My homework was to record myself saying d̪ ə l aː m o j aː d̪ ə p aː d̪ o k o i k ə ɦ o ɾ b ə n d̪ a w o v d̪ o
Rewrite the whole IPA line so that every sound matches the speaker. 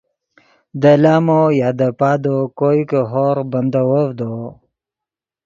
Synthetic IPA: d̪ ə l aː m o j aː d̪ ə p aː d̪ o k o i k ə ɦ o ɾ b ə n d̪ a w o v d̪ o